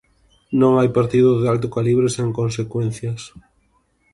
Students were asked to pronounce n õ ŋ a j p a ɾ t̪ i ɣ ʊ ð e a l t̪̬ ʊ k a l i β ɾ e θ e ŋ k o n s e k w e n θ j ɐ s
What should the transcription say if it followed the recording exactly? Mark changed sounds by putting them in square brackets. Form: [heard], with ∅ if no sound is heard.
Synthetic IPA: n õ ŋ a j p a ɾ t̪ i [ð] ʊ ð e a l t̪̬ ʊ k a l i β ɾ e [s] e ŋ k o n s e k w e n θ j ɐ s